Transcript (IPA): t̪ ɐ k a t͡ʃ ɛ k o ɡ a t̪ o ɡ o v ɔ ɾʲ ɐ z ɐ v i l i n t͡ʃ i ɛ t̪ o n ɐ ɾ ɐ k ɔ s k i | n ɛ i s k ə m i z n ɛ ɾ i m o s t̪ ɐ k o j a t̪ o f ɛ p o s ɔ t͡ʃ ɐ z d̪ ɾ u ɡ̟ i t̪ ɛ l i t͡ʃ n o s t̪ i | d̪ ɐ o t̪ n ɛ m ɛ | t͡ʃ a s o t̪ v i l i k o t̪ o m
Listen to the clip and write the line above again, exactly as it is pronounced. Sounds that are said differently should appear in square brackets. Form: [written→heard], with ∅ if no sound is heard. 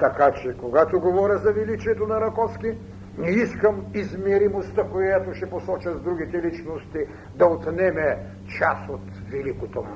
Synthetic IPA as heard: t̪ ɐ k a t͡ʃ ɛ k o ɡ a t̪ o ɡ o v ɔ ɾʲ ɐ z ɐ v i l i [n→∅] t͡ʃ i ɛ t̪ o n ɐ ɾ ɐ k ɔ s k i | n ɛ i s k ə m i z [n→m] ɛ ɾ i m o s t̪ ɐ k o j a t̪ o [f→ʃ] ɛ p o s ɔ t͡ʃ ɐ z d̪ ɾ u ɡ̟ i t̪ ɛ l i t͡ʃ n o s t̪ i | d̪ ɐ o t̪ n ɛ m ɛ | t͡ʃ a s o t̪ v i l i k o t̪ o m